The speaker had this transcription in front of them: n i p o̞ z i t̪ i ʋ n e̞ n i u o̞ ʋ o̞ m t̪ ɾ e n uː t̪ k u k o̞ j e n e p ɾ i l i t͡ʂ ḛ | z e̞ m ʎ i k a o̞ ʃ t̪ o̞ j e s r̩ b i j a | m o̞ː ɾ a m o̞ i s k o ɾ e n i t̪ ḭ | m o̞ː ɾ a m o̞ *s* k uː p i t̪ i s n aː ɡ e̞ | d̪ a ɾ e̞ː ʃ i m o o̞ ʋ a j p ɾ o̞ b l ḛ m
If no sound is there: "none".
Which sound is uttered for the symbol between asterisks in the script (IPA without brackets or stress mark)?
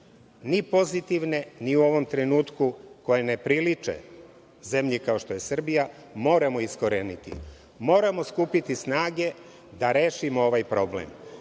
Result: s